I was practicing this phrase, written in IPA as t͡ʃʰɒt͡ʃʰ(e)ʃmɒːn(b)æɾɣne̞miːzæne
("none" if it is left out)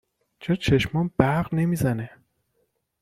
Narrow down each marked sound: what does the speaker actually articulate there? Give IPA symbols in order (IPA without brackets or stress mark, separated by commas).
e, b